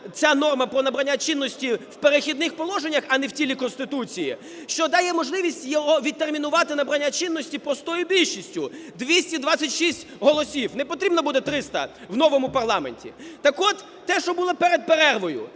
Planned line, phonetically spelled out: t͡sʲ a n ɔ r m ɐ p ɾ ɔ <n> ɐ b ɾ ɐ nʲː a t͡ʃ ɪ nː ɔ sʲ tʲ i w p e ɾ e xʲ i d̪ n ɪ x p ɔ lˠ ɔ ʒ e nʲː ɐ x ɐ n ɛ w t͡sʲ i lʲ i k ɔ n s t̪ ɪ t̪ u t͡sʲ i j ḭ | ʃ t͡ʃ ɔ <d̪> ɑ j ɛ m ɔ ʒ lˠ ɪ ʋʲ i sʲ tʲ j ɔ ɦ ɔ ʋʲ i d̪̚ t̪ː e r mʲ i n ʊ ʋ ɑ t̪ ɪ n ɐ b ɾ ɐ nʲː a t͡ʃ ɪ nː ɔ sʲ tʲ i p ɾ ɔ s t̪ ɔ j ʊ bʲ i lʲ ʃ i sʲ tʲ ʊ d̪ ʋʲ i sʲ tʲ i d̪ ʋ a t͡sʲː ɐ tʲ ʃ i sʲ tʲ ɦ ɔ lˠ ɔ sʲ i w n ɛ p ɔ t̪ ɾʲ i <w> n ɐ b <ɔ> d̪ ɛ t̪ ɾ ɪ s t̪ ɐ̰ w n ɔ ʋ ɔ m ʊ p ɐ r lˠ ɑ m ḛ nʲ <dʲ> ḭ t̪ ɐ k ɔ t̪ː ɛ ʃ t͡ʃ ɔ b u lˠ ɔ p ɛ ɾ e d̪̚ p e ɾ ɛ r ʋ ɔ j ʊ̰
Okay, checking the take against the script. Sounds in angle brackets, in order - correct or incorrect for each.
correct, correct, incorrect: b, incorrect: u, incorrect: tʲ

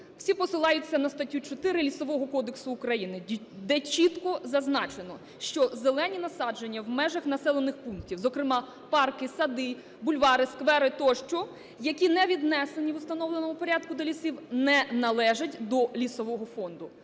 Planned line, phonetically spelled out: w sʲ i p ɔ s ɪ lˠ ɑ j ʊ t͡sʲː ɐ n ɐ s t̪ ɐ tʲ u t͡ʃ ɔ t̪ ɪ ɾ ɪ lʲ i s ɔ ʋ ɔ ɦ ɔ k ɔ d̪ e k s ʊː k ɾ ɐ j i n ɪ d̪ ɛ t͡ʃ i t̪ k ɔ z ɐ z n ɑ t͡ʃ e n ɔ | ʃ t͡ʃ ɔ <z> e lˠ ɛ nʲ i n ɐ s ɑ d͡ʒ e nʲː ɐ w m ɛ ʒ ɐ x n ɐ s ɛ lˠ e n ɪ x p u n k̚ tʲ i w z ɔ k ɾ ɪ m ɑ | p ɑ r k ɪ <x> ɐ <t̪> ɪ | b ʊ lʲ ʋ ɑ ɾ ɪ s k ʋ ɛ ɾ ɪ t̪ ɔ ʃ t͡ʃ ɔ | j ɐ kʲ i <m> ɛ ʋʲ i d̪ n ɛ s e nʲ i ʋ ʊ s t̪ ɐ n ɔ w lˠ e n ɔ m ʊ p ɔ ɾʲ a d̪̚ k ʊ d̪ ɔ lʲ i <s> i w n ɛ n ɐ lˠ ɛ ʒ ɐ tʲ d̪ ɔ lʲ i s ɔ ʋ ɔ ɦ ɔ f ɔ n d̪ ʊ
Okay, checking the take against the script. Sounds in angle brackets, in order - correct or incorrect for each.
correct, incorrect: s, incorrect: d̪, incorrect: n, correct

